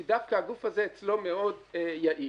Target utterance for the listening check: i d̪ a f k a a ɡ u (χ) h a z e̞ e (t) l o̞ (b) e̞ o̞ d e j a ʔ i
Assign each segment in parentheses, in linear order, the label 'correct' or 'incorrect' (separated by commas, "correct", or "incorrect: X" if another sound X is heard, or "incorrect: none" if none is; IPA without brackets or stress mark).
incorrect: f, incorrect: t͡s, incorrect: m